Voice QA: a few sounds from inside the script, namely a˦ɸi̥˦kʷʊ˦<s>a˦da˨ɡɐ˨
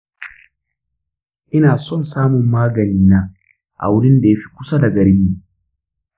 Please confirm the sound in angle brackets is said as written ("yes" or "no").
yes